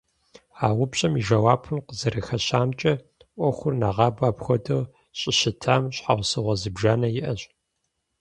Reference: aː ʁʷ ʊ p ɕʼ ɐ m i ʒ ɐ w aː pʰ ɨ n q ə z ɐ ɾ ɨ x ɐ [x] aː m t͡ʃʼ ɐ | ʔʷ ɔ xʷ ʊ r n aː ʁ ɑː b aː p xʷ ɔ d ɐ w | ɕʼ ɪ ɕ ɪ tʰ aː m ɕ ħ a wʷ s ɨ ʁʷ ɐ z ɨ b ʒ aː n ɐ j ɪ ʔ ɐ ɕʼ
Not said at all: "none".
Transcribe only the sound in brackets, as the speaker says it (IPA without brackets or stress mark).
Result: ɕ